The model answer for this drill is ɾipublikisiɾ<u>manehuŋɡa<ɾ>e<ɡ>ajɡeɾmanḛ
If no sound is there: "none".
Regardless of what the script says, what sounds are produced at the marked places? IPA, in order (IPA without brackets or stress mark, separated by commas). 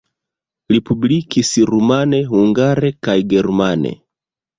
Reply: u, ɾ, k